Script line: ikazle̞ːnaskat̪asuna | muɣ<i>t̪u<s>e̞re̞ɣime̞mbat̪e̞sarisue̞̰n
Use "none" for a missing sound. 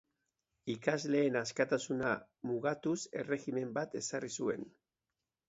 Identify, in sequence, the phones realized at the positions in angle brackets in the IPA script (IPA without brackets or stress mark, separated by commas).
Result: a, s